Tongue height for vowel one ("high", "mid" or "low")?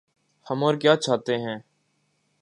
mid